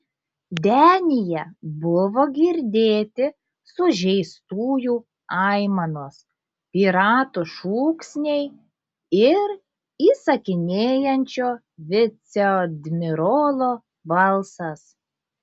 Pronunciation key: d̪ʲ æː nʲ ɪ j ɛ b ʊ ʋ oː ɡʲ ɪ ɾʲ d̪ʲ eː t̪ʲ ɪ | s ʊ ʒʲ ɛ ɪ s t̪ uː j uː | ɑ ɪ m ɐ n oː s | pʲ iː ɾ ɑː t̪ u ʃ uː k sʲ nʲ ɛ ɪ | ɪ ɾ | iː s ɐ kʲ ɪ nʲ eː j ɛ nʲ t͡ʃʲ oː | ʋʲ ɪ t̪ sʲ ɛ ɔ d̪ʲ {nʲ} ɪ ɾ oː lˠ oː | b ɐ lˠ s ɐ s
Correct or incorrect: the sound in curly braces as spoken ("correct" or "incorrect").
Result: incorrect